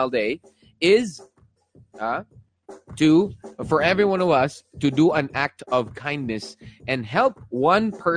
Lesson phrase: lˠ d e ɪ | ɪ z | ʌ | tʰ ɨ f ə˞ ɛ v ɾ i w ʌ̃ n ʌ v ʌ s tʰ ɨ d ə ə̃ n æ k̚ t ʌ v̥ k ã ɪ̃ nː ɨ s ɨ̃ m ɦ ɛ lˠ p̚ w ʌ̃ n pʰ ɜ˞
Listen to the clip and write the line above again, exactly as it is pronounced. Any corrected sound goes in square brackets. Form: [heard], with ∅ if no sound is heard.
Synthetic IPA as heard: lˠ d e ɪ | ɪ z | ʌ | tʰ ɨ f ə˞ ɛ v [ɹ] i w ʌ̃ n ʌ v ʌ s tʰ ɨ d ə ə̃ n æ k̚ t ʌ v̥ [kʰ] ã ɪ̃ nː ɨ s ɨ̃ [n] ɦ ɛ lˠ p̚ w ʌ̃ n pʰ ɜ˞